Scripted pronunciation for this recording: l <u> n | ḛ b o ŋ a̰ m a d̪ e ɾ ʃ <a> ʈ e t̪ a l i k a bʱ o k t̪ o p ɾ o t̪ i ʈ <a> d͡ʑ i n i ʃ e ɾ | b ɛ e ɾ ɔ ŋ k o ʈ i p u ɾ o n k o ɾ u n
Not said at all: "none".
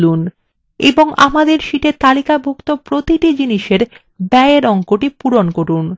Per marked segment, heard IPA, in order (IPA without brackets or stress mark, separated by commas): u, i, i